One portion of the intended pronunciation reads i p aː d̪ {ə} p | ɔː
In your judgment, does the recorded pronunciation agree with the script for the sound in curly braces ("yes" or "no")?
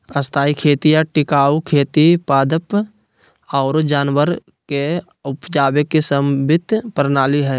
yes